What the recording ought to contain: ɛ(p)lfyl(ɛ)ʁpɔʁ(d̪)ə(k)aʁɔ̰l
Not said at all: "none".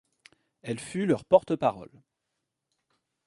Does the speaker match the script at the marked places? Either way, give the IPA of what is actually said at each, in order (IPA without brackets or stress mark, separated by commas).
none, œ, t̪, p